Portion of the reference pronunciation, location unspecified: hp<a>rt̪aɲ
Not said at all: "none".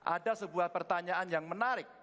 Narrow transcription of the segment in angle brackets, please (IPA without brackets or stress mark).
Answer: ə